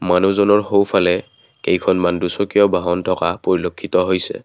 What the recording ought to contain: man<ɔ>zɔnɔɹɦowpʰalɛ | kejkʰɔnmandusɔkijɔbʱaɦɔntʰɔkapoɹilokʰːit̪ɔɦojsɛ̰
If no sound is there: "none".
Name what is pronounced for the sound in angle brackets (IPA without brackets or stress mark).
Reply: u